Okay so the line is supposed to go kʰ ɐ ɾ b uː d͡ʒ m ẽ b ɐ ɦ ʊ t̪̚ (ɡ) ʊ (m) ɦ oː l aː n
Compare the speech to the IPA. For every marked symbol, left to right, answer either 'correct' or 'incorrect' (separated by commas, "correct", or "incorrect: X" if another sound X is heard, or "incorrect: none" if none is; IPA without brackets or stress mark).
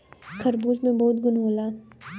correct, incorrect: n